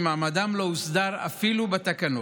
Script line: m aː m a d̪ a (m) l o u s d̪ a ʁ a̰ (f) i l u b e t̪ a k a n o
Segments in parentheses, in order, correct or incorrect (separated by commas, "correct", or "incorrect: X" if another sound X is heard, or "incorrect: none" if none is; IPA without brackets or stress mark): correct, correct